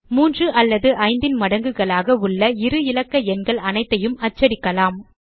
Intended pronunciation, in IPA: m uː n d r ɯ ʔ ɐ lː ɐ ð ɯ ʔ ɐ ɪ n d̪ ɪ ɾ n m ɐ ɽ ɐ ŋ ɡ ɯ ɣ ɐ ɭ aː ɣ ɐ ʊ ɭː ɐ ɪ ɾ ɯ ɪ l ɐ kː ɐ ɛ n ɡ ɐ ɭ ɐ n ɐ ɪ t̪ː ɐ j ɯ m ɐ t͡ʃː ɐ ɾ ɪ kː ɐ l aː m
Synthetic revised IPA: m uː n d r ɯ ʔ ɐ lː ɐ ð ɯ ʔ ɐ ɪ n d̪ ɪ n m ɐ ɽ ɐ ŋ ɡ ɯ ɣ ɐ ɭ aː ɣ ɐ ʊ ɭː ɐ ɪ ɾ ɯ ɪ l ɐ kː ɐ ɛ n ɡ ɐ ɭ ɐ n ɐ ɪ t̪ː ɐ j ɯ m ɐ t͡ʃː ɐ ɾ ɪ kː ɐ l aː m